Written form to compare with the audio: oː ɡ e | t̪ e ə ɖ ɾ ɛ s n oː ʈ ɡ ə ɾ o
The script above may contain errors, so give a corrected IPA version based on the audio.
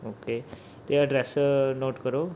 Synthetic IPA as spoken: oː k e | t̪ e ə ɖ ɾ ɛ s n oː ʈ k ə ɾ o